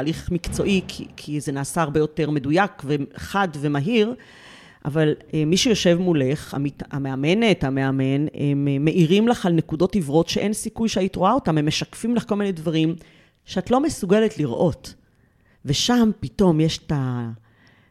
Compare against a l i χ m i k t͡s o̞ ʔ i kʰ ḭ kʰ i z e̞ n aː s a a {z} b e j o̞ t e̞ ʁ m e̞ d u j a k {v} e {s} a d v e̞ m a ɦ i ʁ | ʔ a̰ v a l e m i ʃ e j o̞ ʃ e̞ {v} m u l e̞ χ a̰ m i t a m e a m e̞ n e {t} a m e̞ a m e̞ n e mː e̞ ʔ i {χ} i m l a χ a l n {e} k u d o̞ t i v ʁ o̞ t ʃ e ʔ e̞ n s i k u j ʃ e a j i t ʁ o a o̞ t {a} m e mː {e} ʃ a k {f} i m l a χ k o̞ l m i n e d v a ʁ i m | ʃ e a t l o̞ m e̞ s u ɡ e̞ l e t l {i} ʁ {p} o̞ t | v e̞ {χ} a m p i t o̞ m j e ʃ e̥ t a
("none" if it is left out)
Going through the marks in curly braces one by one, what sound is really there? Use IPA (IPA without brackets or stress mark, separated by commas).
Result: ʁ, v, χ, v, t, ʁ, e, a, e, f, i, ʔ, ʃ